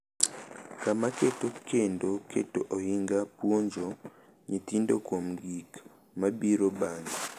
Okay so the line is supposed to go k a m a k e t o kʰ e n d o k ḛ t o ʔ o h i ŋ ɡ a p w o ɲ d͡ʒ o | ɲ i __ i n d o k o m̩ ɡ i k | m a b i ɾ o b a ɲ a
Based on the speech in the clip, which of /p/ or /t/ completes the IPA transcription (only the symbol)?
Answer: t